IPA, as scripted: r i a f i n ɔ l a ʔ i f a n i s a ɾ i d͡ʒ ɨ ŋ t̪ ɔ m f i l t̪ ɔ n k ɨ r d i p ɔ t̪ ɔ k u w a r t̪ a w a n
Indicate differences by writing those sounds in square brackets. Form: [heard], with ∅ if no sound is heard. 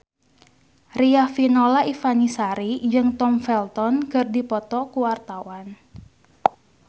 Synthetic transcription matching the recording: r i a f i n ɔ l a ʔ i f a n i s a ɾ i d͡ʒ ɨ ŋ t̪ ɔ m f [ɛ] l t̪ ɔ n k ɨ r d i p ɔ t̪ ɔ k u w a r t̪ a w a n